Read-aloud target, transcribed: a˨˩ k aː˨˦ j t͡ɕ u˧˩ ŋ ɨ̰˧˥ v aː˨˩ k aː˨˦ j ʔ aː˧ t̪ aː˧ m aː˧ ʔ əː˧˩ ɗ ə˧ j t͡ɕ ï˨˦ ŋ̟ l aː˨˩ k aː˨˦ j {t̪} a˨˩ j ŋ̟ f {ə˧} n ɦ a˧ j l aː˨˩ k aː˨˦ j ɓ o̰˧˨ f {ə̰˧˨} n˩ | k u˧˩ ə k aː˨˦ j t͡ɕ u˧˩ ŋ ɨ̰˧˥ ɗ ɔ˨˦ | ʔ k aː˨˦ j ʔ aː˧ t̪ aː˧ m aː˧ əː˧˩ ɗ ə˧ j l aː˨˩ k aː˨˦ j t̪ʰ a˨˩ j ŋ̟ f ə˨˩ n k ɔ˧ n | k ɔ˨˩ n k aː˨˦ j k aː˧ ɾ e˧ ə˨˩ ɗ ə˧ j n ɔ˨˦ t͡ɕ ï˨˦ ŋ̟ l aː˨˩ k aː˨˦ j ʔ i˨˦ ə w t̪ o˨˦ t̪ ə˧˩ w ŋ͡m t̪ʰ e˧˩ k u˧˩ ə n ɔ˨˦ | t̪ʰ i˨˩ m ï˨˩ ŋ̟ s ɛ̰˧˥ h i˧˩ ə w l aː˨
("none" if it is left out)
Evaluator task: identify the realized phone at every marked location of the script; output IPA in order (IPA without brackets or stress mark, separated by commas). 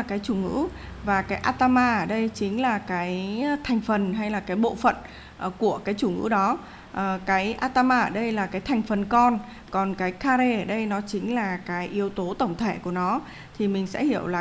t̪ʰ, ə˨˩, ə̰˧˨